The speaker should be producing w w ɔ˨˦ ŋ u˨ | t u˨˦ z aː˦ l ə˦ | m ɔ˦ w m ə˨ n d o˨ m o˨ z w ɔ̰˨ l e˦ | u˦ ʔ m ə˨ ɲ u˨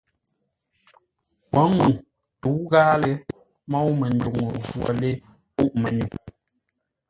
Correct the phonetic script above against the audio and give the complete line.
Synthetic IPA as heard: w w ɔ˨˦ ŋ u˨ | t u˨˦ ɣ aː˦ l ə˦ | m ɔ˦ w m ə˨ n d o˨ ŋ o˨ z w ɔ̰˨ l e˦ | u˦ ʔ m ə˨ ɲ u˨